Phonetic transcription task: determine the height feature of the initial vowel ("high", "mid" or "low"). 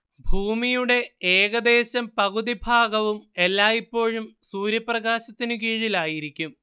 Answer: high